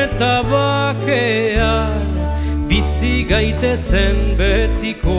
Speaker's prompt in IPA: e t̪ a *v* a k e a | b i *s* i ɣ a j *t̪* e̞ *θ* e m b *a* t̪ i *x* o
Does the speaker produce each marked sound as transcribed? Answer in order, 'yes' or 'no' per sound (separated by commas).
no, yes, yes, no, no, no